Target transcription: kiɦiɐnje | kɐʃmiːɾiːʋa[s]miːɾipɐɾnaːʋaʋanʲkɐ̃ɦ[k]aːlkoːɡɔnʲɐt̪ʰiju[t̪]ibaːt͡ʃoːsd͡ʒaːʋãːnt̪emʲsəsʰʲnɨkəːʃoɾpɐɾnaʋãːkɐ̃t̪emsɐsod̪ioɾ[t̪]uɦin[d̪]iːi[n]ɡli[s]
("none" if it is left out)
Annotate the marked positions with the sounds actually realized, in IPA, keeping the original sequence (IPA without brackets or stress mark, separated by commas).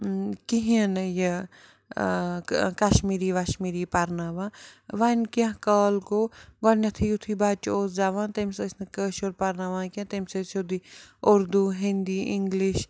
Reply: ʃ, k, t̪ʰ, d̪, d̪, ŋ, ʃ